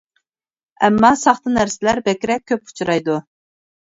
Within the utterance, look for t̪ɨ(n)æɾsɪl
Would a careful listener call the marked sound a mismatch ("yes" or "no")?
no